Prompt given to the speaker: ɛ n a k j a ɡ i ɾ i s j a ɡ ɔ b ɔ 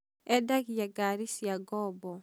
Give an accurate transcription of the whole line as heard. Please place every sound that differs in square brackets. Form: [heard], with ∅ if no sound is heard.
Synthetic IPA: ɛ [d] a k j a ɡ [a] ɾ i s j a ɡ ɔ b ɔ